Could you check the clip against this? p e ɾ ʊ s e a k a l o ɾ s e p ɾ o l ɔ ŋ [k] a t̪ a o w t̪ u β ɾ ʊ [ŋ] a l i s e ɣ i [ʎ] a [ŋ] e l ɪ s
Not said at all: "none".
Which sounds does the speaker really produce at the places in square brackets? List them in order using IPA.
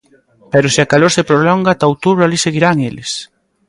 ɡ, none, ɾ, ŋ

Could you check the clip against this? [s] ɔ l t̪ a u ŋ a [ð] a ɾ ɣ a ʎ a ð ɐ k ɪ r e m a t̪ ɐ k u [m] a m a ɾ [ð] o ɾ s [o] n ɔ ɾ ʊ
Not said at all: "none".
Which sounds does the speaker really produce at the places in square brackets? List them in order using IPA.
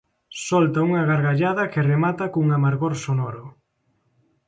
s, ɣ, ŋ, ɣ, o

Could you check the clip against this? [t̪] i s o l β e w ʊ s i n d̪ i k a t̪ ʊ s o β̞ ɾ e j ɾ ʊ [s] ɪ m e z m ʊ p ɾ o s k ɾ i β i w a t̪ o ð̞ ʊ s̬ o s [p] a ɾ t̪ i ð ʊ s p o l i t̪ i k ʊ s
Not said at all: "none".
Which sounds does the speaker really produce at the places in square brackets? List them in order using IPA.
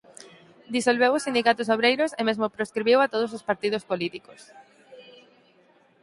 d̪, s, p

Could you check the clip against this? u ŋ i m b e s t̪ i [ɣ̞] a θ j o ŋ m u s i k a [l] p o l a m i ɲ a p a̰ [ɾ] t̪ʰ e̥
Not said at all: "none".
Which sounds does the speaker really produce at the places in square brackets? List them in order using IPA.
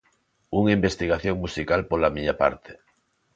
ɣ̞, l, ɾ

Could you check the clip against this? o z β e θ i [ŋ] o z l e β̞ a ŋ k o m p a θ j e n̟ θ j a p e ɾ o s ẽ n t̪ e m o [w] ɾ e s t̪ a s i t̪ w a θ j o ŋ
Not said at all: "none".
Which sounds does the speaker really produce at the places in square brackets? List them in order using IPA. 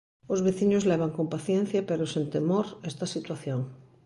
ɲ, none

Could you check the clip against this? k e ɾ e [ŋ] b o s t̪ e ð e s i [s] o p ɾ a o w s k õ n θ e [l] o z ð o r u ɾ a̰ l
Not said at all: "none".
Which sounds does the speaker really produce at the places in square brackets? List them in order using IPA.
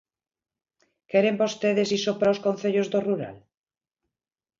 m, s, ʎ

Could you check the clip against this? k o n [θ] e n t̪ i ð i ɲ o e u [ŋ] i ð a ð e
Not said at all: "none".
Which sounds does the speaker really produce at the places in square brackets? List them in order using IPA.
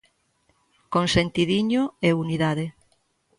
s, n

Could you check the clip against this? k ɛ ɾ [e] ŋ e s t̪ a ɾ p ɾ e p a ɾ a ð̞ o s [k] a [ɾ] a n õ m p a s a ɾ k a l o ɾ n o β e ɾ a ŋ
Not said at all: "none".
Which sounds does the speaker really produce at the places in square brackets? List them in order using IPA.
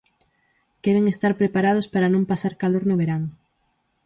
e, p, ɾ

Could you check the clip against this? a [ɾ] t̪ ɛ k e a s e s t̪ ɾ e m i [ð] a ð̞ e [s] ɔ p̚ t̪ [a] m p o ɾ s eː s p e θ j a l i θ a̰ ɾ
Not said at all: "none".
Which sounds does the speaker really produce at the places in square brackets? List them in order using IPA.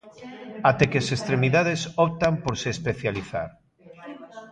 none, ð, s, a

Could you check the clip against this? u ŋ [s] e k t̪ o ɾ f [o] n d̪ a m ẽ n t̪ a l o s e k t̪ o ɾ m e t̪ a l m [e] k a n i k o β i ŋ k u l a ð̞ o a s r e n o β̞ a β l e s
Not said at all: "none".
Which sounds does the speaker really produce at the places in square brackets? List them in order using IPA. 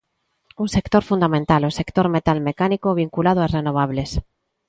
s, u, e

